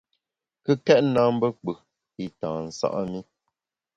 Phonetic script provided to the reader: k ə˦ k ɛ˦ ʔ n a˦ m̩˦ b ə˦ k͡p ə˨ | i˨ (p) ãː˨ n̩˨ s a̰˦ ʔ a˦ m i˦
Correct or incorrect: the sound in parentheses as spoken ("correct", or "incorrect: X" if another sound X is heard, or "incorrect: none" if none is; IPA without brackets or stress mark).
incorrect: t